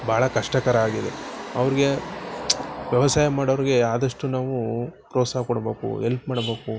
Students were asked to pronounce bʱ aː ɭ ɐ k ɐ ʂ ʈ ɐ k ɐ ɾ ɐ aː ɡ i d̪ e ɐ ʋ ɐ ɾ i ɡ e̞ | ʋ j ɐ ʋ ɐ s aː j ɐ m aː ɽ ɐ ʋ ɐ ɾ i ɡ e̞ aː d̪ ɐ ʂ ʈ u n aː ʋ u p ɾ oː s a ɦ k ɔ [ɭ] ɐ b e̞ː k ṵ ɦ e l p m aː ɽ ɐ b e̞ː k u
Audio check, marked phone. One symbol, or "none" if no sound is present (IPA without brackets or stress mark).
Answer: ɽ